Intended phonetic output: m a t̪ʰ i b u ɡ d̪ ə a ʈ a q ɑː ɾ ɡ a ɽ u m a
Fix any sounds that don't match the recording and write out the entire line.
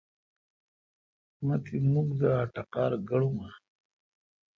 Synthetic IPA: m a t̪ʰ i m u ɡ d̪ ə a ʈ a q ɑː ɾ ɡ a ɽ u m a